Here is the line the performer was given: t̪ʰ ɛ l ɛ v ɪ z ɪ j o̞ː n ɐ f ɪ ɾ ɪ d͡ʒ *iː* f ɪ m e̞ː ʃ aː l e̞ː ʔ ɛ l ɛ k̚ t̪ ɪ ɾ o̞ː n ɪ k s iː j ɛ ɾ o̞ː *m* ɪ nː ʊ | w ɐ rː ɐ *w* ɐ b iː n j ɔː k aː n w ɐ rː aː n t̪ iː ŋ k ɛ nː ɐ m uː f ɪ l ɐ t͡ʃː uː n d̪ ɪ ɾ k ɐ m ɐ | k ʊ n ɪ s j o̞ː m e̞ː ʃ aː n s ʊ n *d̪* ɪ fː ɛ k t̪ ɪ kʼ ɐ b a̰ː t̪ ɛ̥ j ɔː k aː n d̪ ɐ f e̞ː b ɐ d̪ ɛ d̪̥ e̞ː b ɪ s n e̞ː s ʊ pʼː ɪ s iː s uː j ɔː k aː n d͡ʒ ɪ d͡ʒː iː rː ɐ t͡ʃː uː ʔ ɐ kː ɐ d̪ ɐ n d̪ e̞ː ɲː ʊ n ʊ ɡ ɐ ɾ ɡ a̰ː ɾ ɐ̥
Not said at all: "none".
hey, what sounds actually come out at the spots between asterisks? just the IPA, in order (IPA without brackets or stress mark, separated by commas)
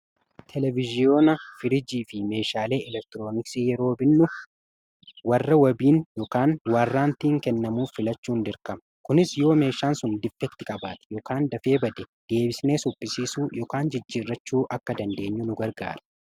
iː, b, w, d̪